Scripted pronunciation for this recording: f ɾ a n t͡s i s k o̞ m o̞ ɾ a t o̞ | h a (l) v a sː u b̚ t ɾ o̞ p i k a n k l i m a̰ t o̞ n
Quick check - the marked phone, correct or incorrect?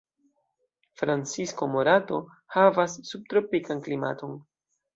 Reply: incorrect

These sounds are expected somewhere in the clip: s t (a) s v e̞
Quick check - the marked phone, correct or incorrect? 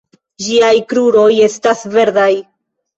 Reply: correct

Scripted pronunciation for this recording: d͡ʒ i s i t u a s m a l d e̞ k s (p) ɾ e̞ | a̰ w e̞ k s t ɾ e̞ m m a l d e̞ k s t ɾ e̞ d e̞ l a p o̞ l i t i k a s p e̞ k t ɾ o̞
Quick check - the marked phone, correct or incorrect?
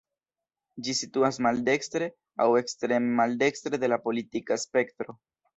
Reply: incorrect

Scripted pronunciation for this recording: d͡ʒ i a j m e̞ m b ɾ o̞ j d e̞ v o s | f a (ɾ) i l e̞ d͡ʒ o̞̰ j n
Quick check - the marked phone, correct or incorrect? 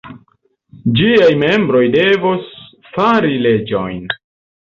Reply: correct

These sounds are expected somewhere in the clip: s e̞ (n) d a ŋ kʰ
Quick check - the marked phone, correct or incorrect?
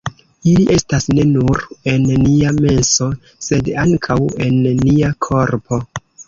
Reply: incorrect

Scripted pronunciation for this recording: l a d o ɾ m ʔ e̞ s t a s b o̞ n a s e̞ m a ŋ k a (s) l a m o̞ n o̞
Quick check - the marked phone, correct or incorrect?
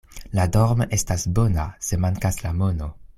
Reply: correct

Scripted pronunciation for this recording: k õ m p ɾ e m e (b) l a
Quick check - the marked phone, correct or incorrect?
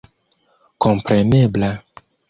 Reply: correct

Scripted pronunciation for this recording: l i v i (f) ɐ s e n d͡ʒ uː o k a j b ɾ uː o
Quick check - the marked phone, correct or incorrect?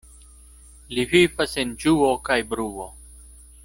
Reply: correct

